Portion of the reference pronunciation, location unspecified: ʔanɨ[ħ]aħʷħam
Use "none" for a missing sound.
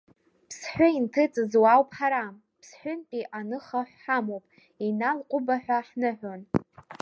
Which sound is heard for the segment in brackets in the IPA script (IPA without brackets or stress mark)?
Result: χ